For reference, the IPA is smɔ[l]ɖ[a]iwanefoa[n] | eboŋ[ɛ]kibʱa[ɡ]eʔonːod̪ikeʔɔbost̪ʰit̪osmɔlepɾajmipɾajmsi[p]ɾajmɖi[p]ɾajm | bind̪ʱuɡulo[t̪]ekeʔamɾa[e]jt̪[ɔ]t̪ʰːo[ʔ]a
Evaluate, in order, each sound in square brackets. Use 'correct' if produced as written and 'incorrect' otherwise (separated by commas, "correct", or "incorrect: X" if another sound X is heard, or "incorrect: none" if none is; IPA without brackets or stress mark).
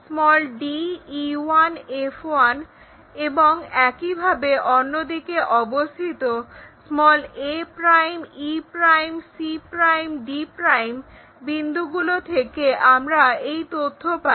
correct, incorrect: i, correct, correct, incorrect: b, correct, correct, incorrect: t̪ʰ, correct, incorrect: o, incorrect: p